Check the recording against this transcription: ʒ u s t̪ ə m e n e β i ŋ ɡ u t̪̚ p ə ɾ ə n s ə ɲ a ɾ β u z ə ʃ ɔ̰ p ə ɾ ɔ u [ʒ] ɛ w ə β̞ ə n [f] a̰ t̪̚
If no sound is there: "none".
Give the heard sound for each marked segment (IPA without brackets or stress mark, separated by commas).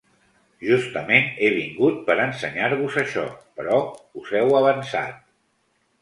z, s